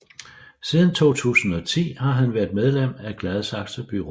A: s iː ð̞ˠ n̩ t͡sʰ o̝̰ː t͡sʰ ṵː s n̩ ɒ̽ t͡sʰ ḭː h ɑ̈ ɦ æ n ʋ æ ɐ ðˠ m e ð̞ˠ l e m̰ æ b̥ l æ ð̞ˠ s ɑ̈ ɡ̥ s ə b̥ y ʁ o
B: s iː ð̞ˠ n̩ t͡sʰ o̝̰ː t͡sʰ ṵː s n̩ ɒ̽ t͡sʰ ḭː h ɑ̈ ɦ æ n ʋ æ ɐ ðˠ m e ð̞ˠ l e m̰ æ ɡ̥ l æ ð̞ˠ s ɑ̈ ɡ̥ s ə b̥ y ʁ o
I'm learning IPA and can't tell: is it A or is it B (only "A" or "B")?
B